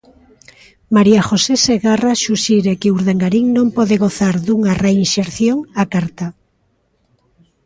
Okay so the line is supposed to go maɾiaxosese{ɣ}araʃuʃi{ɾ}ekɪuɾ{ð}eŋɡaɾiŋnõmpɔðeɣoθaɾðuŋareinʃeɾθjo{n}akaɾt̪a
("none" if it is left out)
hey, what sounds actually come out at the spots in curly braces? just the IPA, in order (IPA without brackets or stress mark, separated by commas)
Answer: ɣ, ɾ, ð, ŋ